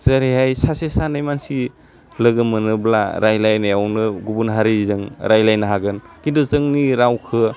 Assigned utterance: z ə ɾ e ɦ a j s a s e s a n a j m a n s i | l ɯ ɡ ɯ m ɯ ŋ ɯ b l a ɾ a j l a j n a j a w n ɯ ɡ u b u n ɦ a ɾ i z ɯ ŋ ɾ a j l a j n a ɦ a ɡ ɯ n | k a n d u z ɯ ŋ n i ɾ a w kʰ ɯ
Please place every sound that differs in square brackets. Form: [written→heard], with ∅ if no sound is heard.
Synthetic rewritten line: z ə ɾ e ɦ a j s a s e s a n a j m a n s i | l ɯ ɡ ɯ m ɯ [ŋ→n] ɯ b l a ɾ a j l a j n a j a w n ɯ ɡ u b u n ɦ a ɾ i z ɯ ŋ ɾ a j l a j n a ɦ a ɡ ɯ n | k [a→i] n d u z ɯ ŋ n i ɾ a w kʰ ɯ